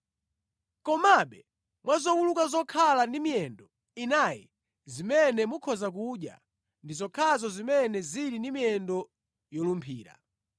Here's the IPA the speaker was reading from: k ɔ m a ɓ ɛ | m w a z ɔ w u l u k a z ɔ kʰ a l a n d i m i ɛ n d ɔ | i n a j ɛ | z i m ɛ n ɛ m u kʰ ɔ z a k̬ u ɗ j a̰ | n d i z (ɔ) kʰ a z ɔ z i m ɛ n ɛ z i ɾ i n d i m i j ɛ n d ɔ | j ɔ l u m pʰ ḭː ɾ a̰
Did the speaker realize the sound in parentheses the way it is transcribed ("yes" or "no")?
yes